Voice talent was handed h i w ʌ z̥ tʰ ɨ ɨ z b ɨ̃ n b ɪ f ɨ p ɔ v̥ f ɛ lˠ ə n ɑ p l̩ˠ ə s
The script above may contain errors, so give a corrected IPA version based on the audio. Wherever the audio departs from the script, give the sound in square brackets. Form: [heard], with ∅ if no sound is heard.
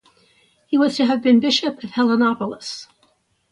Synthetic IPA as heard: h i w ʌ z̥ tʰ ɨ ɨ [v] b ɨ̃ n b ɪ [ʃ] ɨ p [ʌ] v̥ [h] ɛ lˠ ə n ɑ p l̩ˠ ə s